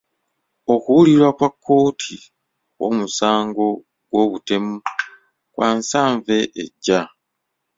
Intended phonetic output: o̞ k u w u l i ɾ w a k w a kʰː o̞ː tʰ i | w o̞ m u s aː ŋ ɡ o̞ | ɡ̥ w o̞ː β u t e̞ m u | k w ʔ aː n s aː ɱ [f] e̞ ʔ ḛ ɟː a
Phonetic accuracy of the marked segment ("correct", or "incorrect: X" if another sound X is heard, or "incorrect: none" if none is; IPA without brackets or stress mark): incorrect: v